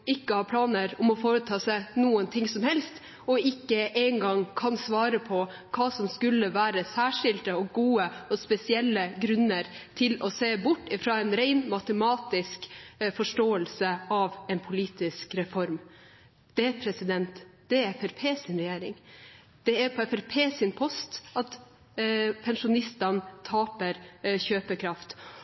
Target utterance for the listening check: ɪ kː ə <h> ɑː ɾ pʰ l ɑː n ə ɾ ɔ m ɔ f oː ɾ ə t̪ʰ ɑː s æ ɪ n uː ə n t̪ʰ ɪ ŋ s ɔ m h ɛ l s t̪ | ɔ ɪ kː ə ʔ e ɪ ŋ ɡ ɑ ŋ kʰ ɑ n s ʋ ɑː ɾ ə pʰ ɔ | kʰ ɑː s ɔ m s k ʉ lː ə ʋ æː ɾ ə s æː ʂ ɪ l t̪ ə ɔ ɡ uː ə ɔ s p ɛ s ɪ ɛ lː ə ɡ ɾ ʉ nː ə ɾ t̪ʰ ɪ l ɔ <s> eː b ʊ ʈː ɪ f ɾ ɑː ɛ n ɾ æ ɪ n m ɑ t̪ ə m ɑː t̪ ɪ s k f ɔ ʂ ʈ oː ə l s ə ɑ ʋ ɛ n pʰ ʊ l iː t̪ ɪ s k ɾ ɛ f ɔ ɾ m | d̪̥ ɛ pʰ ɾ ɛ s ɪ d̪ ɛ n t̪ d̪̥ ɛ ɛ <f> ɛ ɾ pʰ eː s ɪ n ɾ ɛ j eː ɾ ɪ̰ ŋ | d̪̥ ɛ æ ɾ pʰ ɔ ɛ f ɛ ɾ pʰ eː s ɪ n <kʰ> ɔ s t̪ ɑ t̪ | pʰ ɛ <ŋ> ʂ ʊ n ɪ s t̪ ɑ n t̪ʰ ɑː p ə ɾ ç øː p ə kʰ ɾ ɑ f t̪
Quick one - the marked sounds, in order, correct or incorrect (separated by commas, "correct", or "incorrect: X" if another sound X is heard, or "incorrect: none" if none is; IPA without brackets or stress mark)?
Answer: correct, correct, correct, incorrect: pʰ, incorrect: n